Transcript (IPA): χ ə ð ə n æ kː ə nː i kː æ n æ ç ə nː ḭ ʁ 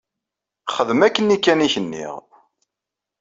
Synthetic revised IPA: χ ə ð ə m æ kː ə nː i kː æ n i ç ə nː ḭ ʁ